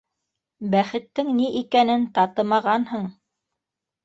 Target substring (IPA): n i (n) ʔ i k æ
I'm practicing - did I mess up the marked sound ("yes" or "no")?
yes